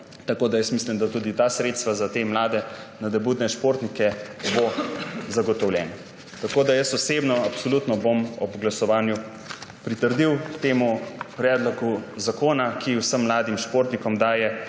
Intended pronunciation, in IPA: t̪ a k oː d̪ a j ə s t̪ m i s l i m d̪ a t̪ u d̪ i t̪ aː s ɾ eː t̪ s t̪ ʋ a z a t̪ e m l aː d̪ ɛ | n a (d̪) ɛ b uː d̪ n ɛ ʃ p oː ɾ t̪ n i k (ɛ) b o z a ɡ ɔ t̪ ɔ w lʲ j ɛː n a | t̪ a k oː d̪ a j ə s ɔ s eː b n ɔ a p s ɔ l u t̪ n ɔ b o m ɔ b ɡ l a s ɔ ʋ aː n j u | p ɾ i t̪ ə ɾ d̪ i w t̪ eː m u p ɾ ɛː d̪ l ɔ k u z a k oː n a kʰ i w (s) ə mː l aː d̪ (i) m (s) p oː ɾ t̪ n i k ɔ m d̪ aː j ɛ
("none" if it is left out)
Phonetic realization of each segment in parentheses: d̪, ɛ, s, i, ʃ

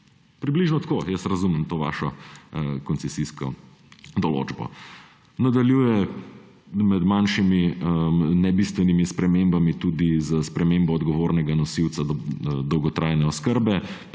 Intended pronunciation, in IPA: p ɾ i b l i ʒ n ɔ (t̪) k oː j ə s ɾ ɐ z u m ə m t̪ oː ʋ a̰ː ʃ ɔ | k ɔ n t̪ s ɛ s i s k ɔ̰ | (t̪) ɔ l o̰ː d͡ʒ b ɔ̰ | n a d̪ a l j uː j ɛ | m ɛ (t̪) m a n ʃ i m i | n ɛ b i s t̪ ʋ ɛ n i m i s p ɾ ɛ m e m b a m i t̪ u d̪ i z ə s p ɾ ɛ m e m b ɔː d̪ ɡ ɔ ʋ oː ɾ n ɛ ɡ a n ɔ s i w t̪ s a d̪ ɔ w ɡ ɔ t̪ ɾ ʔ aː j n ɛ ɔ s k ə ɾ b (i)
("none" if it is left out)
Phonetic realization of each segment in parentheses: t̪, d̪, d̪, ɛ

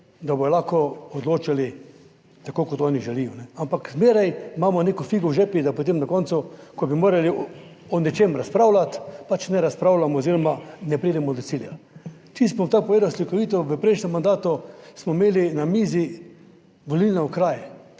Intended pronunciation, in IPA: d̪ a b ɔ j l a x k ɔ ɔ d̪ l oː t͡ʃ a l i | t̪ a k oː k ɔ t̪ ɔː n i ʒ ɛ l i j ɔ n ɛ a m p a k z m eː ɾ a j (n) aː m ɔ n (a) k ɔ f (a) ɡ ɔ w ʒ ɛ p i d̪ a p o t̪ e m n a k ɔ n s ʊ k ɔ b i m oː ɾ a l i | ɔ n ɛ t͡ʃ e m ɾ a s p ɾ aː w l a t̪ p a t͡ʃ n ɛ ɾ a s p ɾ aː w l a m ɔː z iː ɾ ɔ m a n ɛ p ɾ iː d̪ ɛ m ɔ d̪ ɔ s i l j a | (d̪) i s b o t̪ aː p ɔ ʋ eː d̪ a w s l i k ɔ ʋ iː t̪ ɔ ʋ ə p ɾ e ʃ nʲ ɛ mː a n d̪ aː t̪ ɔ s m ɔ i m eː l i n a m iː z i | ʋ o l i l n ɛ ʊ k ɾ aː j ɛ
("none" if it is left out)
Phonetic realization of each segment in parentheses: m, e, i, t̪

